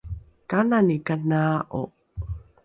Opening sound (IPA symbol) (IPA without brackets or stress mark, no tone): k